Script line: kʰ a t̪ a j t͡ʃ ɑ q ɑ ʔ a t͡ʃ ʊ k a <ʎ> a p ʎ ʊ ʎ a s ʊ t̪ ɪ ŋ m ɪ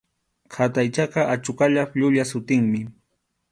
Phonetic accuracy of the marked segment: correct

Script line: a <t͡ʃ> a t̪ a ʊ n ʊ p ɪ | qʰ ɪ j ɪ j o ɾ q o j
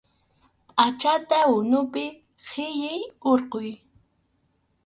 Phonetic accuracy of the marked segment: correct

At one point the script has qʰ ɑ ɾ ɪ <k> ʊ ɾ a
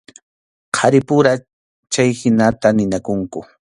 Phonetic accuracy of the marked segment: incorrect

